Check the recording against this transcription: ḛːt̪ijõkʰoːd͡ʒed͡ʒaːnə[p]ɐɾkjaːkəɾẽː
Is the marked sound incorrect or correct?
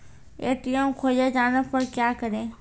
correct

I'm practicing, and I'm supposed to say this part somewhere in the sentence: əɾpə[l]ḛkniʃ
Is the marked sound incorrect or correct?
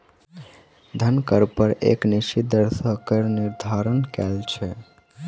incorrect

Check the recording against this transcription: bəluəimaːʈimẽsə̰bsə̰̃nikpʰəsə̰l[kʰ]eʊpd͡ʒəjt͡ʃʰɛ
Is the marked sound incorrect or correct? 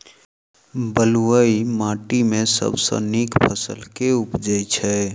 incorrect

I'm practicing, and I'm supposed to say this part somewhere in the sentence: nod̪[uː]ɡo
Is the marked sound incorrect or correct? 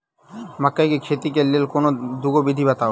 incorrect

